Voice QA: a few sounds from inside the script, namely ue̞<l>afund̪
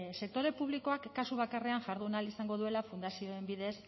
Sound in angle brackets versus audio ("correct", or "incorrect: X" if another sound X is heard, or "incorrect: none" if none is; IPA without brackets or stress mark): correct